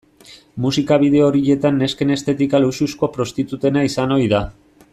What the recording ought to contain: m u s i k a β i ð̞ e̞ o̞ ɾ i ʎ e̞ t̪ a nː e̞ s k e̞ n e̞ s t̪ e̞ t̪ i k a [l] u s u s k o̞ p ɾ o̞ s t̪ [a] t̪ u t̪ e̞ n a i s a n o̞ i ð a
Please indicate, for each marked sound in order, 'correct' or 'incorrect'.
correct, incorrect

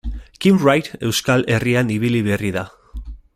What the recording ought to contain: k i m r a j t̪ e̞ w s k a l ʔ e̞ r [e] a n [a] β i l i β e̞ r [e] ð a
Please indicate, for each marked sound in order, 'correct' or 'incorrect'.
incorrect, incorrect, incorrect

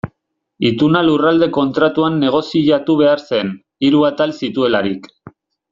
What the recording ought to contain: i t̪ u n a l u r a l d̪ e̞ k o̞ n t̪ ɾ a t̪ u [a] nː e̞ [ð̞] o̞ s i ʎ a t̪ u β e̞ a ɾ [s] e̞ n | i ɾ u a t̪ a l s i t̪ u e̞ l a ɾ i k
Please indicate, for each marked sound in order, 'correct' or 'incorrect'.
correct, incorrect, correct

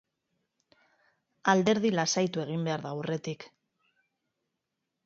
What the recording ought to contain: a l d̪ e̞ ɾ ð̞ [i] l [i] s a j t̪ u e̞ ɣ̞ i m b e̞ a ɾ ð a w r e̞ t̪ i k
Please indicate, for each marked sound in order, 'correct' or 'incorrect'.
correct, incorrect

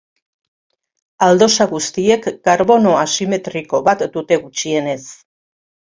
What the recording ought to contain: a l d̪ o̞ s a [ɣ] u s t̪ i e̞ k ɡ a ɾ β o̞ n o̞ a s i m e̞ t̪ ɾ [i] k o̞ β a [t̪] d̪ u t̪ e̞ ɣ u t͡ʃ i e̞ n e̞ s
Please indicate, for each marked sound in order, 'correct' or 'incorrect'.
correct, correct, correct

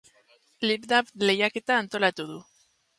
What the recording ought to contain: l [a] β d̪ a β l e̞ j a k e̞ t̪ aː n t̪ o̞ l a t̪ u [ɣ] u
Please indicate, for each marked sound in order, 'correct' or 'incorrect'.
incorrect, incorrect

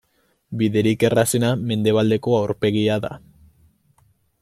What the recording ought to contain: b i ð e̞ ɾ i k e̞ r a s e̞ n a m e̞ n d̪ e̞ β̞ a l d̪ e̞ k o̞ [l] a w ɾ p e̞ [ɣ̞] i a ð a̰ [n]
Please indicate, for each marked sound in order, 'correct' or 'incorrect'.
incorrect, correct, incorrect

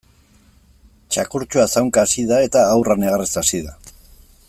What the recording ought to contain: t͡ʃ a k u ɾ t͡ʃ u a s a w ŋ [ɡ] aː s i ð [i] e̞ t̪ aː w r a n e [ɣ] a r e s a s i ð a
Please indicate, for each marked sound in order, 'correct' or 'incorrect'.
incorrect, incorrect, correct

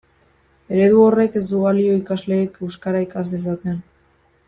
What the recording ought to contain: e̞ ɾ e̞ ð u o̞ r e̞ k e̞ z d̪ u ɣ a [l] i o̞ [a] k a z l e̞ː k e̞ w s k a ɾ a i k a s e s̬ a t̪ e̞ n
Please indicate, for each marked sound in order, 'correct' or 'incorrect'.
correct, incorrect

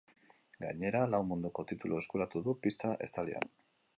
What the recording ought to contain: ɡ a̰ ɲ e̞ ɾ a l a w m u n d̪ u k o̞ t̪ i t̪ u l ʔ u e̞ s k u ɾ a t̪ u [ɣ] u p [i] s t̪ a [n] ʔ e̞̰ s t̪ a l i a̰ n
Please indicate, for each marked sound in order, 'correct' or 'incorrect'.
incorrect, correct, incorrect

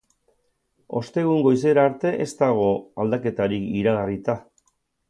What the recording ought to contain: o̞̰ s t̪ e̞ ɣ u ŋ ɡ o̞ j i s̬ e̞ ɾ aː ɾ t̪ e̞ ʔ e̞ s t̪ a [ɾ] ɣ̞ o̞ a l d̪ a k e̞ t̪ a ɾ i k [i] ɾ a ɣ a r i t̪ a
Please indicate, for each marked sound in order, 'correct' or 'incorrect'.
incorrect, correct

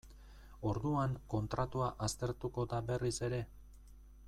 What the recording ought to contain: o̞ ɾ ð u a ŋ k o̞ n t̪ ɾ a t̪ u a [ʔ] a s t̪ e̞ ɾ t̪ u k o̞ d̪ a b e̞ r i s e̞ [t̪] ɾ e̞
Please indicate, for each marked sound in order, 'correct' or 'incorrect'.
correct, incorrect

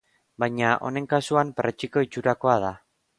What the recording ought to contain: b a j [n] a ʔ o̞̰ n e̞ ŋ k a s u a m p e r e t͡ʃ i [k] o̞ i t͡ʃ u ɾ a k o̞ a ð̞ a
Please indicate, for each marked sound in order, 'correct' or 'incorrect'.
incorrect, correct

